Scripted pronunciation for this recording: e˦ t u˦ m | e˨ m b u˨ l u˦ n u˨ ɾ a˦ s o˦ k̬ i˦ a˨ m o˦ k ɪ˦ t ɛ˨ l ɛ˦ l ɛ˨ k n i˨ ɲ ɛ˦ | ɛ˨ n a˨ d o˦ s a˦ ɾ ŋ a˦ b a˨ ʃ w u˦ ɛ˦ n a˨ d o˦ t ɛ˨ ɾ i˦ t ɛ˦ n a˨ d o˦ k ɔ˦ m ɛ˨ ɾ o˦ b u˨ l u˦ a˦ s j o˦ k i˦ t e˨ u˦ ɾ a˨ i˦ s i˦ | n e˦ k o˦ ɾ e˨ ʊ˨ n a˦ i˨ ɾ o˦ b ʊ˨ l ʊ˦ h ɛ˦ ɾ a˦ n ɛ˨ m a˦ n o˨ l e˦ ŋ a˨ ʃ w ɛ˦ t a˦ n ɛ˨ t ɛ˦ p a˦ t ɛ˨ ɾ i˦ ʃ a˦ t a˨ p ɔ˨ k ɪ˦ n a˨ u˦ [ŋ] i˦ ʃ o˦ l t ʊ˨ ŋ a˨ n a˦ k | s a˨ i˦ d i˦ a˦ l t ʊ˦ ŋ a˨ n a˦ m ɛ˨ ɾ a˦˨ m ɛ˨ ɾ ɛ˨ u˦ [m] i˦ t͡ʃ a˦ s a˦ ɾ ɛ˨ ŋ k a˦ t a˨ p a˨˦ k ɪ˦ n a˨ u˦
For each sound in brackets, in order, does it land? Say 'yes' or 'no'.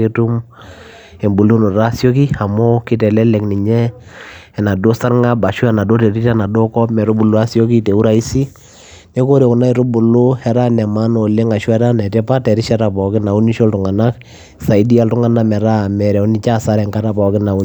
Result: no, no

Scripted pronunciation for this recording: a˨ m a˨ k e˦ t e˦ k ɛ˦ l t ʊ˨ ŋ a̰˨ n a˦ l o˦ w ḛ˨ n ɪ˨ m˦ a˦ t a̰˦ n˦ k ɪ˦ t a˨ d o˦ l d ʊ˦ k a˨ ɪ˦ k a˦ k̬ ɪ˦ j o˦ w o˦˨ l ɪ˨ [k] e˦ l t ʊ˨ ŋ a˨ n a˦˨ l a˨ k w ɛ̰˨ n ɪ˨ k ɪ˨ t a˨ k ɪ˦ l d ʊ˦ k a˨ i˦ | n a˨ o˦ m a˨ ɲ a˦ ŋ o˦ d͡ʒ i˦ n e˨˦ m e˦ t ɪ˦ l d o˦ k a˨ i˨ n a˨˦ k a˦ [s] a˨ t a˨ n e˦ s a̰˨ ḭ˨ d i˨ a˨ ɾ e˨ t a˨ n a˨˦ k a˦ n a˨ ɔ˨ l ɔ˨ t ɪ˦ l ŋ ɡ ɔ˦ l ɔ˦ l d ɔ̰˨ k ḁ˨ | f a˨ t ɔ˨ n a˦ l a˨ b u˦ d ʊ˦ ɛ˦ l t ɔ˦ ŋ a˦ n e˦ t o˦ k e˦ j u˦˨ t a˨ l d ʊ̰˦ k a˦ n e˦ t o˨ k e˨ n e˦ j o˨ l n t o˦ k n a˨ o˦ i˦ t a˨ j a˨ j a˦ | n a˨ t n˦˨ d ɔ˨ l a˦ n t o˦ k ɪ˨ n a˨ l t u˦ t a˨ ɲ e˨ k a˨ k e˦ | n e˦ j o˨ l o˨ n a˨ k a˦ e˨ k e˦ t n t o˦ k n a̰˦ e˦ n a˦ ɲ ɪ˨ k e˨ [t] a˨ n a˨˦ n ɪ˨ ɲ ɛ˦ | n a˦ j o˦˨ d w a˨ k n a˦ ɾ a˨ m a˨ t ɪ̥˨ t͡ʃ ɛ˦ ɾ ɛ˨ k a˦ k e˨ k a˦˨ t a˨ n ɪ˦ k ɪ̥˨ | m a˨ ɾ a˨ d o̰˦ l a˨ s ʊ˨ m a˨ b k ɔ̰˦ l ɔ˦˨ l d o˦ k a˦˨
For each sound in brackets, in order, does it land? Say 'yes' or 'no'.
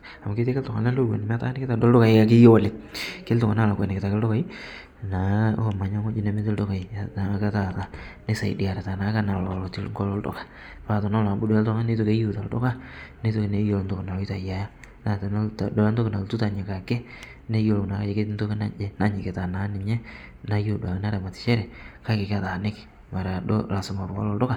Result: yes, no, yes

